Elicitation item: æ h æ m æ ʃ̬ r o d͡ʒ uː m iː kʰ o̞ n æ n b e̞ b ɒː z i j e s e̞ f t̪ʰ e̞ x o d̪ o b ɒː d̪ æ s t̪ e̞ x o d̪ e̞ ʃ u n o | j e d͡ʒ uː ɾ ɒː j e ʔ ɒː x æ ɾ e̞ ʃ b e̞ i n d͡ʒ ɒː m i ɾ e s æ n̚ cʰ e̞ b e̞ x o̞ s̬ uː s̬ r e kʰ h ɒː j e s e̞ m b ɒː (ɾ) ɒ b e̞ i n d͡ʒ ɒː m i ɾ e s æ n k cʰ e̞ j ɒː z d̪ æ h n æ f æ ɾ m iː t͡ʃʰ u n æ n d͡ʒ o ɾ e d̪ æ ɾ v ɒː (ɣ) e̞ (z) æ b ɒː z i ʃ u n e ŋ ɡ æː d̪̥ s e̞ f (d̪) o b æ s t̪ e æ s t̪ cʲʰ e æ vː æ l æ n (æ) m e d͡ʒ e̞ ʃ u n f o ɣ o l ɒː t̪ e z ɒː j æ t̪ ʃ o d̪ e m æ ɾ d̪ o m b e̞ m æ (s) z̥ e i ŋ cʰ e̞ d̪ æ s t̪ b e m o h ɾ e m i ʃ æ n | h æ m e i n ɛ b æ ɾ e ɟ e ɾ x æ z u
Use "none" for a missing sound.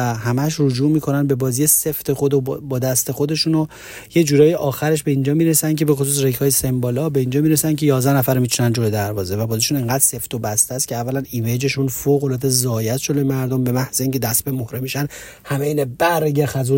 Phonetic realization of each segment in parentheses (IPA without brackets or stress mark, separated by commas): l, z, v, t̪, i, h